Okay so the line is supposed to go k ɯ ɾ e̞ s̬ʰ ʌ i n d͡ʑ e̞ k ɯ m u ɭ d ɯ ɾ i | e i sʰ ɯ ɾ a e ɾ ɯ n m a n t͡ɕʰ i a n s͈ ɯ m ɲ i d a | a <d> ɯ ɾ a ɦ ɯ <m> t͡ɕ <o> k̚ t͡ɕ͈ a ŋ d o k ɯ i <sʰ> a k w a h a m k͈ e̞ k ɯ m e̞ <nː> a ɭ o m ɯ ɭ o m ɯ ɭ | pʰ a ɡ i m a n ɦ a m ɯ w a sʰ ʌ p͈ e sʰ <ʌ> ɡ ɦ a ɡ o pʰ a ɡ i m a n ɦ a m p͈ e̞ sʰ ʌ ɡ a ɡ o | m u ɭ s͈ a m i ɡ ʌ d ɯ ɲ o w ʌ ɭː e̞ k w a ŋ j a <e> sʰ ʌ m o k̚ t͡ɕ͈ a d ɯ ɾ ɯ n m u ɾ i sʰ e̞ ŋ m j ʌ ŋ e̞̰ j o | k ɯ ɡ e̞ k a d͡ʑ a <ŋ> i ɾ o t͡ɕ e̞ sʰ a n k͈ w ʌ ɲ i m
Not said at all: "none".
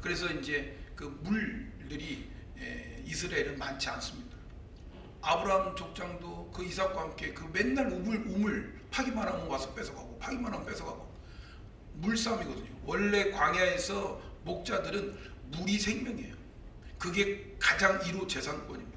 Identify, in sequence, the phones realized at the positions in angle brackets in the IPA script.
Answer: b, m, o, sʰ, nː, ʌ, e, ŋ

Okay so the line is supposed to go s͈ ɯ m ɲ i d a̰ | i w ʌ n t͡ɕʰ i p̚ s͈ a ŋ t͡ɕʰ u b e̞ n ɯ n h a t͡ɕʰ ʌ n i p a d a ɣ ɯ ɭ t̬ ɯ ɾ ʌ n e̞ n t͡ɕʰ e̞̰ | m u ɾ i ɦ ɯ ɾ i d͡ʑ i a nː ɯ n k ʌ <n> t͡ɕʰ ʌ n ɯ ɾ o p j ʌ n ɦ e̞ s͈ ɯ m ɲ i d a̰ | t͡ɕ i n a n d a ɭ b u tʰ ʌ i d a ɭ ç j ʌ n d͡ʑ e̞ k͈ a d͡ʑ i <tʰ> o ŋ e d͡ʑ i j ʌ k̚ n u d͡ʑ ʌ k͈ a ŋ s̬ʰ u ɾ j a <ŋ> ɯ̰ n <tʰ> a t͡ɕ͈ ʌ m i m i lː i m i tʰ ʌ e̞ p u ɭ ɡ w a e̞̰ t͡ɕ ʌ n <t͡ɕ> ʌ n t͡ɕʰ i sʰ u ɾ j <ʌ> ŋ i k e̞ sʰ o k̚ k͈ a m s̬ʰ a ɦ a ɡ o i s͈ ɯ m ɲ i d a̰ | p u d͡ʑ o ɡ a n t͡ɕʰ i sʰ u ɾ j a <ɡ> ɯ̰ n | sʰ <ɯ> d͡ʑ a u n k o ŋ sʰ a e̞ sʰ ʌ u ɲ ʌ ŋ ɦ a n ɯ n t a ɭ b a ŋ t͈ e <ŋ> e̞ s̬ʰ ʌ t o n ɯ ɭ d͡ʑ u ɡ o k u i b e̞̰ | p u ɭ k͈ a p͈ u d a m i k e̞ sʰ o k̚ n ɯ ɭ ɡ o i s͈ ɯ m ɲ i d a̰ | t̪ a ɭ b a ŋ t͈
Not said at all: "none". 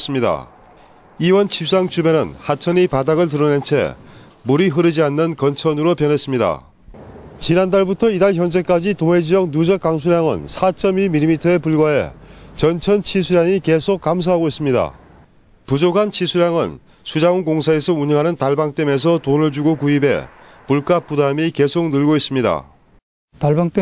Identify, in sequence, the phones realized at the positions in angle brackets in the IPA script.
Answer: n, t, ŋ, sʰ, t͡ɕʰ, a, ŋ, u, m

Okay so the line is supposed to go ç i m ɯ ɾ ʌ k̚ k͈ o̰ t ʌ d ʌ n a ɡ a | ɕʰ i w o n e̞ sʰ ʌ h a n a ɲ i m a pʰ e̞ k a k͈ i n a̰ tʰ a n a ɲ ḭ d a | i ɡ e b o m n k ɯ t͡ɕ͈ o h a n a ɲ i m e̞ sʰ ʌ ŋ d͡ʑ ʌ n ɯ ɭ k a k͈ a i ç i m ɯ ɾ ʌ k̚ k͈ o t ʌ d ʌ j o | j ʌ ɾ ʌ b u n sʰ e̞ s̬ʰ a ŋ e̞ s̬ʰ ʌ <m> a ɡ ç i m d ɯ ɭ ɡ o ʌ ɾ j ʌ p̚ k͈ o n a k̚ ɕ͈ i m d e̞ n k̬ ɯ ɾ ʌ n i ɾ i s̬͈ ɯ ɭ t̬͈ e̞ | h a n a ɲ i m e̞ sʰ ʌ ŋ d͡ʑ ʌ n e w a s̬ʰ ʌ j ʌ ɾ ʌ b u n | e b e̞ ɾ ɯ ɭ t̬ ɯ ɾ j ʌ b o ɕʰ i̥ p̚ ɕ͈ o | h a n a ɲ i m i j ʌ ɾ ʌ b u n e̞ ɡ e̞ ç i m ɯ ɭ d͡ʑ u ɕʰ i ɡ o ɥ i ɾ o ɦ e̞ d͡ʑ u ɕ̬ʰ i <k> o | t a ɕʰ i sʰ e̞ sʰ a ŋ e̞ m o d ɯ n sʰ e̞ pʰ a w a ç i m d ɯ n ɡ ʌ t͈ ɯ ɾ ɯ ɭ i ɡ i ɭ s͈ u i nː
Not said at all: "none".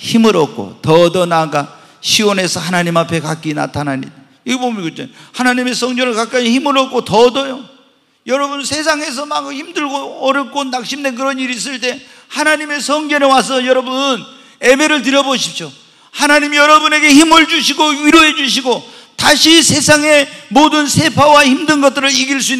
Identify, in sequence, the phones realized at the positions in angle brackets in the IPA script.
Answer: m, ɡ

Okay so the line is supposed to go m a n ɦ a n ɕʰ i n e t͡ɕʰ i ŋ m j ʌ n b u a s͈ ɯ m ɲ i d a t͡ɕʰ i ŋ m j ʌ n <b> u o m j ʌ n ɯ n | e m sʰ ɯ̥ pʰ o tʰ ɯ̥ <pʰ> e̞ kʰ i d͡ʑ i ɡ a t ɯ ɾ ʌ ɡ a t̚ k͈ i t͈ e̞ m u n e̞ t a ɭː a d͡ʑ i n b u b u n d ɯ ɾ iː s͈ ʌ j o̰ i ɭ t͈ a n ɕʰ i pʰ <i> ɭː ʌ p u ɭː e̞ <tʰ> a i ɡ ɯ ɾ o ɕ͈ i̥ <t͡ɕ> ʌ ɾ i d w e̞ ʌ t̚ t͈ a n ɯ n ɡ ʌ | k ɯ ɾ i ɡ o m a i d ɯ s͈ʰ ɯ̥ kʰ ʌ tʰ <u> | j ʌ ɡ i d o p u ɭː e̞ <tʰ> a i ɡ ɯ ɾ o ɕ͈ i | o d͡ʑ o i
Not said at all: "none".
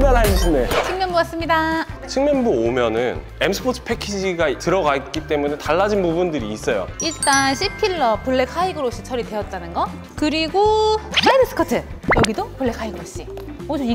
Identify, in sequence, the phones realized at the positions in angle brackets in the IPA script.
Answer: b, pʰ, i, kʰ, t͡ɕʰ, ɯ, kʰ

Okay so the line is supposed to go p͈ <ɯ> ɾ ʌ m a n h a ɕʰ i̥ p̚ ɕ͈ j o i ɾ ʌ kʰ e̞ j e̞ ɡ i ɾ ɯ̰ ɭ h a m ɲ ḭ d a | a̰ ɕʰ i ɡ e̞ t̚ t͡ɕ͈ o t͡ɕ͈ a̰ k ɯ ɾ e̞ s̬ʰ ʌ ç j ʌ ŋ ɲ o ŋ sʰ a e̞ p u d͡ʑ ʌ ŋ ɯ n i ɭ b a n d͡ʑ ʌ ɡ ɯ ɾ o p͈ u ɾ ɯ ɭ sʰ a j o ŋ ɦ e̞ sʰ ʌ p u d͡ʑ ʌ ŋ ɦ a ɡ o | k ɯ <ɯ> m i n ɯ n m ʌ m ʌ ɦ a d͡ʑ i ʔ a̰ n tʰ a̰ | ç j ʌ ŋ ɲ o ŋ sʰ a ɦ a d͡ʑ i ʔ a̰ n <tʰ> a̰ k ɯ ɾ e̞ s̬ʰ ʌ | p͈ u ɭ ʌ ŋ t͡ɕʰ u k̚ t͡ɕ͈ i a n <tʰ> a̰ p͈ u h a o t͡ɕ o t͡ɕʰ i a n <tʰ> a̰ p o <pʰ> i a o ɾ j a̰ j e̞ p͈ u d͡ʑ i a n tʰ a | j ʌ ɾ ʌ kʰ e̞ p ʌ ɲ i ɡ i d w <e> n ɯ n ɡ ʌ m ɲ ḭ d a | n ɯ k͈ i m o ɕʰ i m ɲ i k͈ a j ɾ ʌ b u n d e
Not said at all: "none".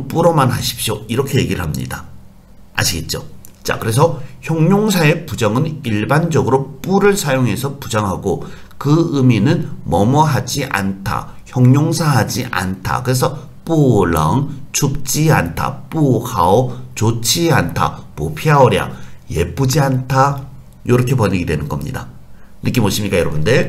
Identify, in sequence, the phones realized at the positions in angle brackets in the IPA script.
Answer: u, ɯ, tʰ, tʰ, tʰ, pʰ, e

